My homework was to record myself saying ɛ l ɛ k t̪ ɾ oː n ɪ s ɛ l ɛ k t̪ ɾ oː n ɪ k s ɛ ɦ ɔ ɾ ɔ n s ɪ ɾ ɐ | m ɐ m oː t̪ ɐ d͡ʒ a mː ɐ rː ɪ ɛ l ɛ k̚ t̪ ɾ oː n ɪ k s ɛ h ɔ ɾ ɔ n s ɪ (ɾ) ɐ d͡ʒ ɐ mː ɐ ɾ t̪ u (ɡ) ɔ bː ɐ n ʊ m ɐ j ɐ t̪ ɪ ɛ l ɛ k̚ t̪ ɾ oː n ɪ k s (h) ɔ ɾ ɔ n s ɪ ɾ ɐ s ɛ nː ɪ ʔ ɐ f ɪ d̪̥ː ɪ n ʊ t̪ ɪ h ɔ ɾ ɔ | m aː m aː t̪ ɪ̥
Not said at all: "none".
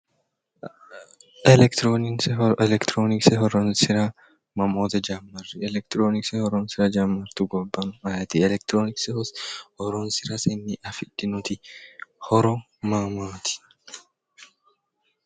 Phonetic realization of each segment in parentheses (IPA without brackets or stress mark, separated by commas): ɾ, ɡ, h